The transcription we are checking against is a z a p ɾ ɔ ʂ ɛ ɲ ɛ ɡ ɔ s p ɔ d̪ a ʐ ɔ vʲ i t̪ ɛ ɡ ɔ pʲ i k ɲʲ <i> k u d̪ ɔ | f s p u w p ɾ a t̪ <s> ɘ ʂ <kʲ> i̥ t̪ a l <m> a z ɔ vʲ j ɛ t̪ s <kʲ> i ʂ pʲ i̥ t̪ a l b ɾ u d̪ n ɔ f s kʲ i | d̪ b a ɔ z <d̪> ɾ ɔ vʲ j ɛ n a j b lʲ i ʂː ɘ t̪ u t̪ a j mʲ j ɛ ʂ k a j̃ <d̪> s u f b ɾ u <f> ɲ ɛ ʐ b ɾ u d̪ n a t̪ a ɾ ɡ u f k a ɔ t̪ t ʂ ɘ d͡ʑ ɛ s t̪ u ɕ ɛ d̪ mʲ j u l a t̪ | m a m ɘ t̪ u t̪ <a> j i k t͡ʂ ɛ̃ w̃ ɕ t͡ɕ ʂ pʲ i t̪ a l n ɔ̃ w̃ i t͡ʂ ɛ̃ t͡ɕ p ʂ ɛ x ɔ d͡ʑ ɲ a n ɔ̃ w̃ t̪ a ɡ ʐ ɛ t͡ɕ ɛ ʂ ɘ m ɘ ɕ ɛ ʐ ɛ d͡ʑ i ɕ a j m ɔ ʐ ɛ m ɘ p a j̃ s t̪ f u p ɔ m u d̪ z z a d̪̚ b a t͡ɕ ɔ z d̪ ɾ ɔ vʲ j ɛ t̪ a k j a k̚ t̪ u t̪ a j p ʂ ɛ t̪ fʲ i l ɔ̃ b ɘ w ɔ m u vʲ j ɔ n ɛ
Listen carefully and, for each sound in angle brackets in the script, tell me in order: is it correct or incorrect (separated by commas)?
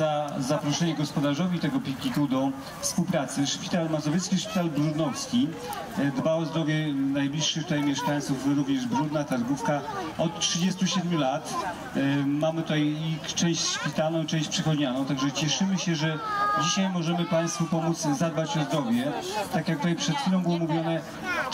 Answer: correct, correct, incorrect, correct, correct, correct, incorrect, incorrect, correct